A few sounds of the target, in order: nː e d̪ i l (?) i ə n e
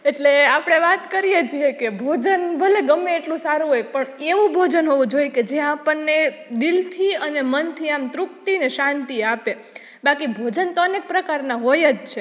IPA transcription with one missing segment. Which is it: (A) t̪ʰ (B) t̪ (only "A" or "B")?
A